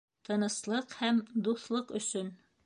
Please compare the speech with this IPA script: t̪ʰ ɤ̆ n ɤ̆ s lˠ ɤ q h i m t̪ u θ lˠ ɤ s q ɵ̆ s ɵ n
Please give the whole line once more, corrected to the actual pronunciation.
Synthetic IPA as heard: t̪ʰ ɤ̆ n ɤ̆ s lˠ ɤ q h æ m d̪ u θ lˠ ɤ q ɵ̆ s ɵ n